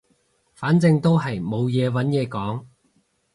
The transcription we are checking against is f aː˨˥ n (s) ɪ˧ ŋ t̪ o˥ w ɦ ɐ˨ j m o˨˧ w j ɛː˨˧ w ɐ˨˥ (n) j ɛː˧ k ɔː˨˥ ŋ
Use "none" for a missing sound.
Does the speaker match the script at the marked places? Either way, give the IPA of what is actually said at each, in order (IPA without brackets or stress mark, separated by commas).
t͡s, n